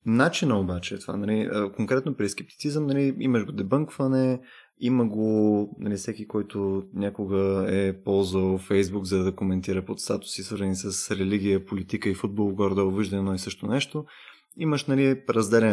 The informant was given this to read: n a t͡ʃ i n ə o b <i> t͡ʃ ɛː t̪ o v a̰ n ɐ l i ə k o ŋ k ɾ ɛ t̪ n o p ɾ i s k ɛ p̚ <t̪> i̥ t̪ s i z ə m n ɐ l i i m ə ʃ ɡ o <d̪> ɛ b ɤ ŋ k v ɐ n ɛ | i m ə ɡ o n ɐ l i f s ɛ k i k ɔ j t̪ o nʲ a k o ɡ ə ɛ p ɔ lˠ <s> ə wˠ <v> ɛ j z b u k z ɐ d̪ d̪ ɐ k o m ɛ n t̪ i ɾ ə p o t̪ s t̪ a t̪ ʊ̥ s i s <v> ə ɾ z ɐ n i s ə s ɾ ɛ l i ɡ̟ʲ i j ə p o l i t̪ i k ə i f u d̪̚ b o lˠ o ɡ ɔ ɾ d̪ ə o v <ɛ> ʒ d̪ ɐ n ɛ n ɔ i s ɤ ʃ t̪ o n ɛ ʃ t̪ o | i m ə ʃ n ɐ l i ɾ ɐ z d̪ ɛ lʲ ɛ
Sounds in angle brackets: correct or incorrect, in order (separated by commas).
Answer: incorrect, correct, correct, incorrect, incorrect, correct, incorrect